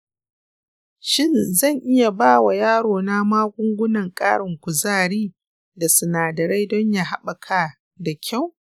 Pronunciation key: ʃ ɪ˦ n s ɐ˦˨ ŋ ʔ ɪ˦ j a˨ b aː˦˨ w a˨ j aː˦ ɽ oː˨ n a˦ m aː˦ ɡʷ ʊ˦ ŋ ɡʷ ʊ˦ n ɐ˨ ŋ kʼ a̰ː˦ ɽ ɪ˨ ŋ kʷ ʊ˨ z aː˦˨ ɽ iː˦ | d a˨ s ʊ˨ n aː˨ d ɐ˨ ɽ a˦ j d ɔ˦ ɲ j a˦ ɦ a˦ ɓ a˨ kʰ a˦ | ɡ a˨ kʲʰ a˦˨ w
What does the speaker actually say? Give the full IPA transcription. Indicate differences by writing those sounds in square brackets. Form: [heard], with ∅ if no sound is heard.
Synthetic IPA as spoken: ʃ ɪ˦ n [z] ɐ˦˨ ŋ ʔ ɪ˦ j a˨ b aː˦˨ w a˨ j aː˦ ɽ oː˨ n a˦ m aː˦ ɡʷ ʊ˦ ŋ ɡʷ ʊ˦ n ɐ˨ ŋ kʼ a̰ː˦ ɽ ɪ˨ ŋ kʷ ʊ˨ z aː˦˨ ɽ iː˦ | d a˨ s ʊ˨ n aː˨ d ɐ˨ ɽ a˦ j d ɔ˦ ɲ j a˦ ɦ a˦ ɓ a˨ kʰ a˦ | [d] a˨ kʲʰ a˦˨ w